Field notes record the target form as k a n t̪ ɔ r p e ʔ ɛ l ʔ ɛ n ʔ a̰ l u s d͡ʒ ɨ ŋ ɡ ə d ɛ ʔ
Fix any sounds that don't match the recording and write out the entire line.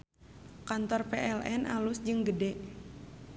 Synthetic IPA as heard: k a n t̪ ɔ r p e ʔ ɛ l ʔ ɛ n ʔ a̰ l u s d͡ʒ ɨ ŋ ɡ ə d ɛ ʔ